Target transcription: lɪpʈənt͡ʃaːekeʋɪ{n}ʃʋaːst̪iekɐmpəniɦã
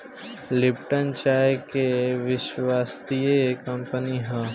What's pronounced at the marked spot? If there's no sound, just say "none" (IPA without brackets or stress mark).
none